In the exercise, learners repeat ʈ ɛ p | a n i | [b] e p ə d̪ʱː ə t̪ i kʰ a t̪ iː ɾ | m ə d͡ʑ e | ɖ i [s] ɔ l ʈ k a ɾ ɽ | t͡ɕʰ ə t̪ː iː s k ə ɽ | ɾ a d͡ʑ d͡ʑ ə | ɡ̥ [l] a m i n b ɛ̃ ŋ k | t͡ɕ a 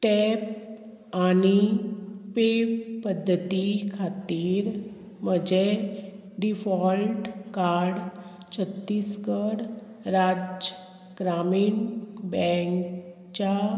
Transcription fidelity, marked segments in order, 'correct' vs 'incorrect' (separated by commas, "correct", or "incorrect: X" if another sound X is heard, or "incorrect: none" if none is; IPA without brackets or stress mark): incorrect: p, incorrect: f, incorrect: ɾ